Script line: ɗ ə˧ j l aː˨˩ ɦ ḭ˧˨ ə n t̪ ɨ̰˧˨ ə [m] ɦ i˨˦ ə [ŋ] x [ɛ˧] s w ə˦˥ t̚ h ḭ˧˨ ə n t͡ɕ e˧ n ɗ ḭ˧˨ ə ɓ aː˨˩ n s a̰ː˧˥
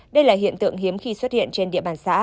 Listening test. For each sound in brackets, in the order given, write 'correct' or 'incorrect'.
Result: incorrect: ŋ, incorrect: m, incorrect: i˧

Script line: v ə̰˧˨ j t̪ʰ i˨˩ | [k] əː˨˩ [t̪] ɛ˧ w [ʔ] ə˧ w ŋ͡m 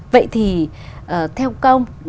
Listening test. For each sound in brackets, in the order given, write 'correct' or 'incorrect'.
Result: incorrect: ʔ, incorrect: t̪ʰ, incorrect: k

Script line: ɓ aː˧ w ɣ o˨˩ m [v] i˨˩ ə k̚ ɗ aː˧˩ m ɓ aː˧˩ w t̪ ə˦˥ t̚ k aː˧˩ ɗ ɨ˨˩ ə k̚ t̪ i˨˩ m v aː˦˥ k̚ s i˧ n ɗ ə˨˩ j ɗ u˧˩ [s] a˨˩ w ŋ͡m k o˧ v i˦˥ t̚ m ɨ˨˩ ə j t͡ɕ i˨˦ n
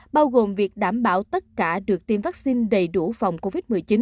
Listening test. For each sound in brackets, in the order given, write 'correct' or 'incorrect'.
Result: correct, incorrect: f

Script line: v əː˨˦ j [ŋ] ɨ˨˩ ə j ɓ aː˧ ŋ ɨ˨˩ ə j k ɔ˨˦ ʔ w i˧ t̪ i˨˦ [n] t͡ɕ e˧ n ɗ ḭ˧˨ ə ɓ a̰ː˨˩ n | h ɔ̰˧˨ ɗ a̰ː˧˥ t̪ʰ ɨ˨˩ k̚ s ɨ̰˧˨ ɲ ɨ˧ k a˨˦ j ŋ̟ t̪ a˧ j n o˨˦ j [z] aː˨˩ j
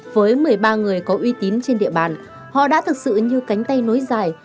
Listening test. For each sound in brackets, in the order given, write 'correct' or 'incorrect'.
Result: incorrect: m, correct, correct

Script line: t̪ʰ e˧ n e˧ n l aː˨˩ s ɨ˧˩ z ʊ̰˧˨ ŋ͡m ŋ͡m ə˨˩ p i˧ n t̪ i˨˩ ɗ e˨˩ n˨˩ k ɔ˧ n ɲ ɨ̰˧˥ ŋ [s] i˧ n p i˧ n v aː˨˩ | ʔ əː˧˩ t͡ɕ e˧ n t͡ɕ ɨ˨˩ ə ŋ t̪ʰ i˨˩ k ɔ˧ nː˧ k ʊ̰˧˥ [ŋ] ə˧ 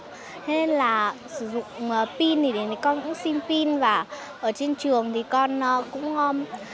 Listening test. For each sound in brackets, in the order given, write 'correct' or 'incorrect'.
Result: correct, incorrect: ŋ͡m

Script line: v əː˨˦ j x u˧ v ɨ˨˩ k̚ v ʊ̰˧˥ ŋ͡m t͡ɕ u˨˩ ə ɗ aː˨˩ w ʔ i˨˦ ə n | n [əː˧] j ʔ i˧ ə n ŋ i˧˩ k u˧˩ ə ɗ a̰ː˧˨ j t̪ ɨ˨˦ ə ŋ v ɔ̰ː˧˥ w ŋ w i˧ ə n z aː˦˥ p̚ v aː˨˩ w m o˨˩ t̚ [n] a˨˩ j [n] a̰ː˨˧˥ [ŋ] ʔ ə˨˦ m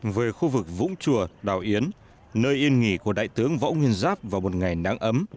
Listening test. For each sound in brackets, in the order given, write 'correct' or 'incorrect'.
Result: correct, incorrect: ŋ, correct, correct

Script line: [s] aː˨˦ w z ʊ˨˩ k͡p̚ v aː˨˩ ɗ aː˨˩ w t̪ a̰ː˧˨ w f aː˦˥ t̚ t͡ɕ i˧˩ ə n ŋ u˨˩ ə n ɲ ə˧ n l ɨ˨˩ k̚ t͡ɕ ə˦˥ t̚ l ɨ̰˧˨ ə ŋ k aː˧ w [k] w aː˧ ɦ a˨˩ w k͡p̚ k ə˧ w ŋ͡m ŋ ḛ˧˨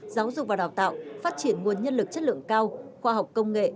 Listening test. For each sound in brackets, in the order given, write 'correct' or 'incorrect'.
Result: incorrect: z, incorrect: x

